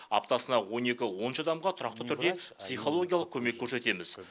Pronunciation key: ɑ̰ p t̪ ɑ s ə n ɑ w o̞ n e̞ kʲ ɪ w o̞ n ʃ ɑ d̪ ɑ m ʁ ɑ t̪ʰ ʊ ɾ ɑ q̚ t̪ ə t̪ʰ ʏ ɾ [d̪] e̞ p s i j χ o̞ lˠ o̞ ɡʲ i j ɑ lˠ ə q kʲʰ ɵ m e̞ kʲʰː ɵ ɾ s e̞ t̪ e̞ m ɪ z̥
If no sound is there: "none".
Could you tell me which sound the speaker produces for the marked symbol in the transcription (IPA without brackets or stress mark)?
d̪